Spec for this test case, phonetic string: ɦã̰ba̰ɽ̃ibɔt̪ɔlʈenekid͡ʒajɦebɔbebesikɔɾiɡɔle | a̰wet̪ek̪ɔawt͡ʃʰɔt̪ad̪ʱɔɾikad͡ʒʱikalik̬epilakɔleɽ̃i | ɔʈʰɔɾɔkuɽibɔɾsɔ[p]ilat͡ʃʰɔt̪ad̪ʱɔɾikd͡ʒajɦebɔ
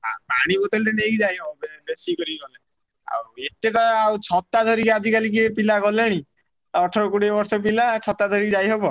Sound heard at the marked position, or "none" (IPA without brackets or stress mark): p